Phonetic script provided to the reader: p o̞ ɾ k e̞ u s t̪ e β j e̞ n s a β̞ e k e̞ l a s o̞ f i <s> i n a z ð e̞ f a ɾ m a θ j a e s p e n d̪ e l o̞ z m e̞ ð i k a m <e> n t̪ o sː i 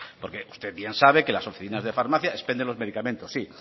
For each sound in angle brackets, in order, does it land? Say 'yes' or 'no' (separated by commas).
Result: no, no